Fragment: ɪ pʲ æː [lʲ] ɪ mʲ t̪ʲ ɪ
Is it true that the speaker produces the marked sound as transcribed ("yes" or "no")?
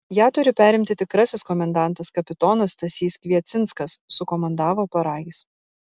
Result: no